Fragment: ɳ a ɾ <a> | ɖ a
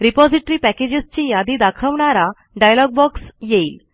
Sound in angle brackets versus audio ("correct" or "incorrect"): correct